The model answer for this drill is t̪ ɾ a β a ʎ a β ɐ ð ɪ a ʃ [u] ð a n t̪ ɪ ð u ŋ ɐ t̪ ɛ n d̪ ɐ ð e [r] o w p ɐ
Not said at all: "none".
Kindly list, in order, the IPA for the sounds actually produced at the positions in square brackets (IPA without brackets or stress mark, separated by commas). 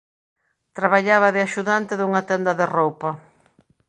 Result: u, r